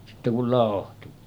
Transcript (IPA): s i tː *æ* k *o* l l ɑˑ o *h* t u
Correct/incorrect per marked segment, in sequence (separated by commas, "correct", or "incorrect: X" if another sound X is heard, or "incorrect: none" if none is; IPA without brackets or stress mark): incorrect: e, incorrect: u, correct